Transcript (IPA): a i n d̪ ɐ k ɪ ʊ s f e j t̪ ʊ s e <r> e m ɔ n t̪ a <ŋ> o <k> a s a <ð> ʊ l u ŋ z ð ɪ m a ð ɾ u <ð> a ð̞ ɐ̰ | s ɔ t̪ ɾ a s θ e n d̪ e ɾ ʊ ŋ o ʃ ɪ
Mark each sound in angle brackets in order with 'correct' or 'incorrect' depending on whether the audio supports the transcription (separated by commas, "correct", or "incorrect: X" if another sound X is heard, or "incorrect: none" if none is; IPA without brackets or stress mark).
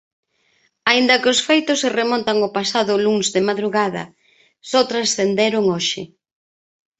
correct, correct, incorrect: p, correct, incorrect: ɣ